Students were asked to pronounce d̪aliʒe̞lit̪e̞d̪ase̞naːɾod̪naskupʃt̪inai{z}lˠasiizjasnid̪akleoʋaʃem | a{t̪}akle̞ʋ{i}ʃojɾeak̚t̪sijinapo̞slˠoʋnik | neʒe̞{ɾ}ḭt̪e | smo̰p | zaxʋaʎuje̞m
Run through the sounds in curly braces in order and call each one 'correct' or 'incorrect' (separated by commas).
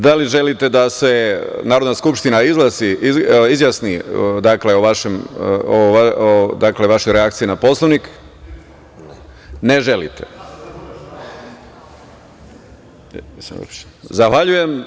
correct, incorrect, incorrect, incorrect